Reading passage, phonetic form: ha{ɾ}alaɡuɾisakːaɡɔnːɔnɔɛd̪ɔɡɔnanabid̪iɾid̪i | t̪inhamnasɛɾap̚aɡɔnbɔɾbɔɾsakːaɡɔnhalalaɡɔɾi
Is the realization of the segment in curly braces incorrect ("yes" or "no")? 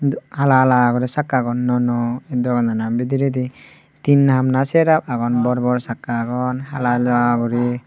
yes